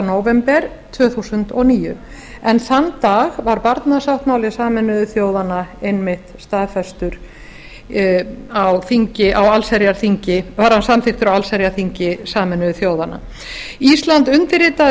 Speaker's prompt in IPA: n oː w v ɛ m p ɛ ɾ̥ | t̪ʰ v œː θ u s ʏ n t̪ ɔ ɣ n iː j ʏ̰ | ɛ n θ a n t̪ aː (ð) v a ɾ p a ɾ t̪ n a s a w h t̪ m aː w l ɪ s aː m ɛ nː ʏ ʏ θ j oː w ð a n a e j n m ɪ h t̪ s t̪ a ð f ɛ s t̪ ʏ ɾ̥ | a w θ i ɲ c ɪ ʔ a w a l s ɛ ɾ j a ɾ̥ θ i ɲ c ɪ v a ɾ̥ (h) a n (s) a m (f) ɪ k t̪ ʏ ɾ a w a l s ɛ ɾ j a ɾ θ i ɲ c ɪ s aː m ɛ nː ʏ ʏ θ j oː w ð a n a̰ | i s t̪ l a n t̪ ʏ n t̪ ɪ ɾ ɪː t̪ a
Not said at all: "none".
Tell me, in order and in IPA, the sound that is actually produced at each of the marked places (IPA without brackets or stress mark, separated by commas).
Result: ɣ, h, s, θ